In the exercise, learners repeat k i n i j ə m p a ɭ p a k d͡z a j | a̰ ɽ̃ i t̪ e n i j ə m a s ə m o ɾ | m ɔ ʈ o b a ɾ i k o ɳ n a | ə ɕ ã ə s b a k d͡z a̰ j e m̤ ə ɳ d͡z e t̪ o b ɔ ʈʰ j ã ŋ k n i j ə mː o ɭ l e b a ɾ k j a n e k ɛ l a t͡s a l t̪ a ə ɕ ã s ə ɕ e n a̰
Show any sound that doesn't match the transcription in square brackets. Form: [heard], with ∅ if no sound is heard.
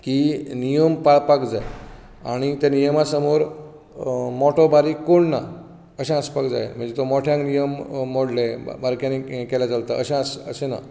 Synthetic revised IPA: k i n i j ə m p a ɭ p a k d͡z a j | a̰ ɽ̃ i t̪ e n i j ə m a s ə m o ɾ | m ɔ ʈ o b a ɾ i k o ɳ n a | ə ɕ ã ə s [p] a k d͡z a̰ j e m̤ ə ɳ d͡z e t̪ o [m] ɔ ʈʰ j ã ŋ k n i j ə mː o [ɽ] l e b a ɾ k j a n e k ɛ l a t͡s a l t̪ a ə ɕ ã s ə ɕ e n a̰